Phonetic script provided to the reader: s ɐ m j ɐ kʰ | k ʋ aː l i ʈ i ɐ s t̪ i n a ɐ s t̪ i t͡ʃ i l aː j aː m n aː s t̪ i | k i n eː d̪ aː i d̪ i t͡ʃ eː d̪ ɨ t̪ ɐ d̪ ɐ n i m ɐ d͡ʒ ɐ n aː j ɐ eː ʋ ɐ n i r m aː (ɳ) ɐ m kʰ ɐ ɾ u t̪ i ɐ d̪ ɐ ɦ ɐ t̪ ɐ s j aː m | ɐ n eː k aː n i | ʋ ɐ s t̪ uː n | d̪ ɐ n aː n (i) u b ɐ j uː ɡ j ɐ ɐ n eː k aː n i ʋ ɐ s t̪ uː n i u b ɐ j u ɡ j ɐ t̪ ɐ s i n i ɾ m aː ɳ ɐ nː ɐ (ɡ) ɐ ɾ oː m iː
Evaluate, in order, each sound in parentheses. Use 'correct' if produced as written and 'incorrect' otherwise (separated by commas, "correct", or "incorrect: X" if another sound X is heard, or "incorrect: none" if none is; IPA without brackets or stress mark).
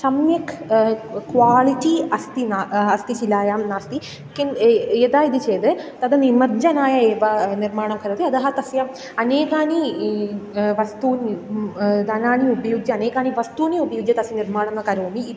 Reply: correct, correct, incorrect: k